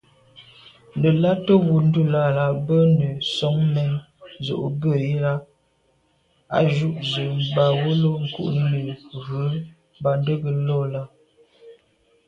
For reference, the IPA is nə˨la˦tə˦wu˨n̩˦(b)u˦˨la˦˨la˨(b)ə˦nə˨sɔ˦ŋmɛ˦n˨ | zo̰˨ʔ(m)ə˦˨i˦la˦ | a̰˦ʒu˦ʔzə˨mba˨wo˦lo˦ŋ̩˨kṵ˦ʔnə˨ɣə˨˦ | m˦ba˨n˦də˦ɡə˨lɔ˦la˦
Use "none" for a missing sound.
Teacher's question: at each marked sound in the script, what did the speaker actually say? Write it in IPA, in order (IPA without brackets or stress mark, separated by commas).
d, b, b